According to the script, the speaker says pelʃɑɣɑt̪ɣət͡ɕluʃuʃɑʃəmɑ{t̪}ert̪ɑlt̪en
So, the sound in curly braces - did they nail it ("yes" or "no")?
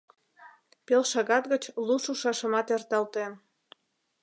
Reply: yes